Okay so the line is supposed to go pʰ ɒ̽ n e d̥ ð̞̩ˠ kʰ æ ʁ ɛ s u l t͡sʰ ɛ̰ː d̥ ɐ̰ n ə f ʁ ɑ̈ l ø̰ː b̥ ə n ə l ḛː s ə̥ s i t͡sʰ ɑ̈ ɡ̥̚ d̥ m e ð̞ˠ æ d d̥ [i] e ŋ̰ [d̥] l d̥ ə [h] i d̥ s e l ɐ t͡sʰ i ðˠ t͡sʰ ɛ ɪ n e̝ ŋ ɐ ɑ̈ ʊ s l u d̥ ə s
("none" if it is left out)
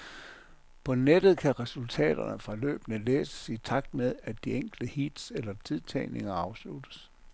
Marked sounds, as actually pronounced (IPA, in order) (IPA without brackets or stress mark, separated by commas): i, ɡ̥, h